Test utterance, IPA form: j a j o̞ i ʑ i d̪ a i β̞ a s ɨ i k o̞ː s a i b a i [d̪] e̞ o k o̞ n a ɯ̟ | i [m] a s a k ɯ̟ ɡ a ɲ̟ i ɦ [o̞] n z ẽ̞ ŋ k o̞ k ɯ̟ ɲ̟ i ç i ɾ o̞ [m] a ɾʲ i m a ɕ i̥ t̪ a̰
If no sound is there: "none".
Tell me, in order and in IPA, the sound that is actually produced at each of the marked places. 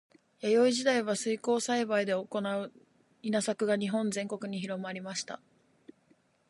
d̪, n, õ̞, m

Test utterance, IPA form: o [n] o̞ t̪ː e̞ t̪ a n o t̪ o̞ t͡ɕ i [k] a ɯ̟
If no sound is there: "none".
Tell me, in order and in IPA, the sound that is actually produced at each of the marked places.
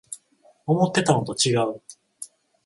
m, ɡ

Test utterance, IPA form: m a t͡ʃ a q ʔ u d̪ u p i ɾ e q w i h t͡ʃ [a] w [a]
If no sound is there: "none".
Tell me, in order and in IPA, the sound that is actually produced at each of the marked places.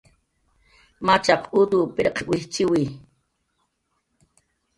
i, i

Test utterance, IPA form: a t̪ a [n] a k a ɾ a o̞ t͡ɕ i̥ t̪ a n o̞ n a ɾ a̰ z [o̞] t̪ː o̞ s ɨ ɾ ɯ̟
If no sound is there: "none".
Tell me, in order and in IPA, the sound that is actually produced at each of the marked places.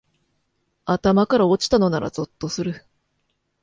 m, o̞

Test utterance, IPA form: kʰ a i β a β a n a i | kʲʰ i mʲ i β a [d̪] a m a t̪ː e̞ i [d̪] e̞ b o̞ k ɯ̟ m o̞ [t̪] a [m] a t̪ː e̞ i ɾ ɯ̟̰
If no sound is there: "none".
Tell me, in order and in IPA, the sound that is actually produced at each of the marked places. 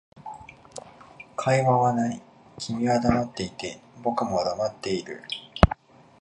d̪, t̪, d̪, m

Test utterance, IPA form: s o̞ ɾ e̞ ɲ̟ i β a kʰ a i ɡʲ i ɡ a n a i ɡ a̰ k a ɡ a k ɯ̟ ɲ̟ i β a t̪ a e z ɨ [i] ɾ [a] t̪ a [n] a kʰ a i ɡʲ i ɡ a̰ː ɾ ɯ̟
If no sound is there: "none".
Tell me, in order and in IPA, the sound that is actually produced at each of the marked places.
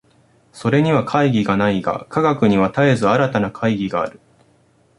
a, a, n

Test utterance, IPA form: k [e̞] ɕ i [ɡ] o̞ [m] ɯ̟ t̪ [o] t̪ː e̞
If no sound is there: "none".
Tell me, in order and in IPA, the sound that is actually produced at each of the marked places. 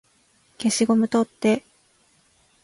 e̞, ɡ, m, o

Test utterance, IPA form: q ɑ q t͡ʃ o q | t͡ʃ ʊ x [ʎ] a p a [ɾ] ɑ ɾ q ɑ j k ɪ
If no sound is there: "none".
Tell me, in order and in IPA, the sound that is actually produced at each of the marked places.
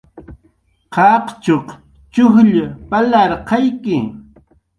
ʎ, l

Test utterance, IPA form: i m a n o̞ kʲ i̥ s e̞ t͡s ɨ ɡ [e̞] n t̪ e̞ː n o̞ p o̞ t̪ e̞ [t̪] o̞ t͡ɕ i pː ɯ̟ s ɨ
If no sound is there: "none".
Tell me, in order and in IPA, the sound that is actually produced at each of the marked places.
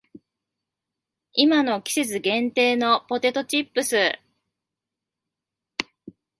ẽ̞, t̪

